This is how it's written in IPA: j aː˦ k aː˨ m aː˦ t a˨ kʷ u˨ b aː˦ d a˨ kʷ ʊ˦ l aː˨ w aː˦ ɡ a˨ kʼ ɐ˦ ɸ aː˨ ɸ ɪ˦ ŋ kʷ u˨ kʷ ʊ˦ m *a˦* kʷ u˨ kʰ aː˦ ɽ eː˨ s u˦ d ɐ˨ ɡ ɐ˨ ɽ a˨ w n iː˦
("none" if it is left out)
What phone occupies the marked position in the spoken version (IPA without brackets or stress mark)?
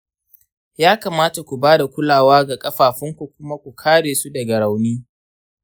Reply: a˦